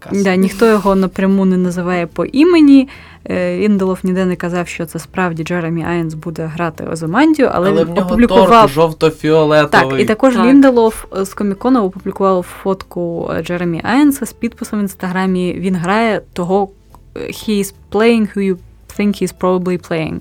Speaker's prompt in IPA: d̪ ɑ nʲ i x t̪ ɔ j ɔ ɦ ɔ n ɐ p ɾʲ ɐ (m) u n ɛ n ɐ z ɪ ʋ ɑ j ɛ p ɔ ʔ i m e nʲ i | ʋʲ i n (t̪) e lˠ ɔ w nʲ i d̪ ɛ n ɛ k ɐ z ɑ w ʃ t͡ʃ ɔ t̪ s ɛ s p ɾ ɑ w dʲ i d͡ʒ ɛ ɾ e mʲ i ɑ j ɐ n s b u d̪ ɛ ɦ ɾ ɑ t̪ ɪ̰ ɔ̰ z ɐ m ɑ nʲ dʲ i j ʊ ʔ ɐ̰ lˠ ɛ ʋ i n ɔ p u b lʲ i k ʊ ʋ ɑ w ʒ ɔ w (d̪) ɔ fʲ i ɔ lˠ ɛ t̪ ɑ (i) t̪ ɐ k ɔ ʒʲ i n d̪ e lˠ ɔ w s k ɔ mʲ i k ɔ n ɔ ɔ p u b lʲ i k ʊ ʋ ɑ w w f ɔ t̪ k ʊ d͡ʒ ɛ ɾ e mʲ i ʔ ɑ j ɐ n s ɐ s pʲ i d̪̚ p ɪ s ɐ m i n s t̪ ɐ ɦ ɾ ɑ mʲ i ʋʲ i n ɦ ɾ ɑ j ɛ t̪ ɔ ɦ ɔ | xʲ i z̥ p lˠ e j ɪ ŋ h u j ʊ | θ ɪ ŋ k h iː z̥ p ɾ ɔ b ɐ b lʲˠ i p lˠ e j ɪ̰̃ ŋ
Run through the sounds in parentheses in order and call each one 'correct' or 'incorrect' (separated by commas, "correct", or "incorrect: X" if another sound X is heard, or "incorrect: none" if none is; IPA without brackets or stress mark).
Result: correct, incorrect: d̪, incorrect: t̪, correct